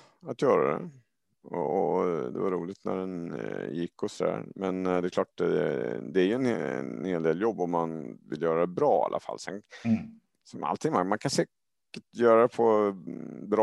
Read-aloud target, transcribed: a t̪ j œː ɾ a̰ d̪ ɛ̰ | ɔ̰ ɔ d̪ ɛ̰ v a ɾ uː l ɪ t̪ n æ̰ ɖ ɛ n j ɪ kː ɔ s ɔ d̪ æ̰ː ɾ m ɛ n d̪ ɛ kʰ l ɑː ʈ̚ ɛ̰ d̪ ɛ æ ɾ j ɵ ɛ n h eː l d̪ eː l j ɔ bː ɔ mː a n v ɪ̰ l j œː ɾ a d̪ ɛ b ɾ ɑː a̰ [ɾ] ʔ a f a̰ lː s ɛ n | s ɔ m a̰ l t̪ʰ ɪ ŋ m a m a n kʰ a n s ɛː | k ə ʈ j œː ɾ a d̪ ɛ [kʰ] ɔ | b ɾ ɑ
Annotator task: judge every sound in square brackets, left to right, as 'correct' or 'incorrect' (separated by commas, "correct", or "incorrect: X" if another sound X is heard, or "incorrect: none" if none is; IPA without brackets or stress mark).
incorrect: l, incorrect: pʰ